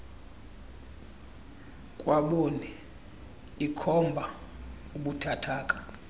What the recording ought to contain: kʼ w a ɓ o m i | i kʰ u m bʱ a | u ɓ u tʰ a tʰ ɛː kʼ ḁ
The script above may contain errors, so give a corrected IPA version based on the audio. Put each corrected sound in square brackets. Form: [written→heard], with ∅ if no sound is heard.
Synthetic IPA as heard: kʼ w a ɓ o [m→n] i | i kʰ [u→ɔ] m bʱ a | u ɓ u tʰ a tʰ [ɛː→aː] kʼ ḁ